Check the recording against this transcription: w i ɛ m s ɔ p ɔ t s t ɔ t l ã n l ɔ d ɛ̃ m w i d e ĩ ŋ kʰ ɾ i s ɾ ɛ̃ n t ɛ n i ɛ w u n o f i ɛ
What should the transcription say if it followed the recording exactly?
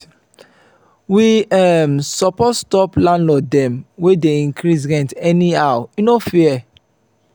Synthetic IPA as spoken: w i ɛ m s ɔ p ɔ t s t ɔ p l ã n l ɔ d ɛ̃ m w e d e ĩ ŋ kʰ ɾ i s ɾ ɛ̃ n t ɛ n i a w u n o f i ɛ